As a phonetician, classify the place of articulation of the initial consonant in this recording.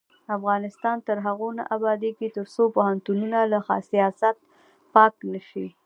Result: labial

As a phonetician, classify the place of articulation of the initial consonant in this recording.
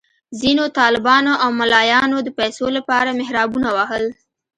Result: alveolar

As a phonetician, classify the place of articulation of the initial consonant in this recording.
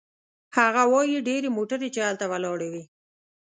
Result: glottal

